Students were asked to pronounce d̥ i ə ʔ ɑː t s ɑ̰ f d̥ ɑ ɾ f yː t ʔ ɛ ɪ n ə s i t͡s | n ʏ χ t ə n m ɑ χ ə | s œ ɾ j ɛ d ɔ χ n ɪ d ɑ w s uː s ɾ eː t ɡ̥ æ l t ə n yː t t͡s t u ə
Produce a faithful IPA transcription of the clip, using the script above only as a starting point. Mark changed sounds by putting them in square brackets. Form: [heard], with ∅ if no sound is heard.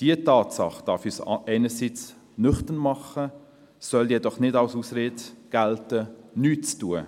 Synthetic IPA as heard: d̥ i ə [t] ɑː t s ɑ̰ [χ] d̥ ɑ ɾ f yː [s] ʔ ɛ ɪ n ə s i t͡s | n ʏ χ t ə n m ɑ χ ə | s œ [l] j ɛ d ɔ χ n ɪ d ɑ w s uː s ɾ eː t ɡ̥ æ l t ə n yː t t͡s t u ə